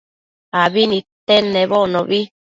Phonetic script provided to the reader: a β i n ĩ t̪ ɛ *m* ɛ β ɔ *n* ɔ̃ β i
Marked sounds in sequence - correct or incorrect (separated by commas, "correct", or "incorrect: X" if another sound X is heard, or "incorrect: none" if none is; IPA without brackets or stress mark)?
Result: incorrect: n, correct